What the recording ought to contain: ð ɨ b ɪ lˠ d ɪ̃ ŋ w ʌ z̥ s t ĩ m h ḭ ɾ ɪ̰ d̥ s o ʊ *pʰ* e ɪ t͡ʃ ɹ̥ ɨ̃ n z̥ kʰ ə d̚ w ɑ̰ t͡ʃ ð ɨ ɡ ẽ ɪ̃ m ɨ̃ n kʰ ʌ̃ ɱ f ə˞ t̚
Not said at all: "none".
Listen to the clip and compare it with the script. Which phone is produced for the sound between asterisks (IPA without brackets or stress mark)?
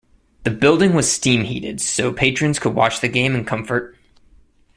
pʰ